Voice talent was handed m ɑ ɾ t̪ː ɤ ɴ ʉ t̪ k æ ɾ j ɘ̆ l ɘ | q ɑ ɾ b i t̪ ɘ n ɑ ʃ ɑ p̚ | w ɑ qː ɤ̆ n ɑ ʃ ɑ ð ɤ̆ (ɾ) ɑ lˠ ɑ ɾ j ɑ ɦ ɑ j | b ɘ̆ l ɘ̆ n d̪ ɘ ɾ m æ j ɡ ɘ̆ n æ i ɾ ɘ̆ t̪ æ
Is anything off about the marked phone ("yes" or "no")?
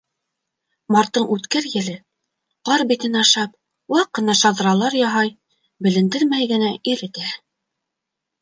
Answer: no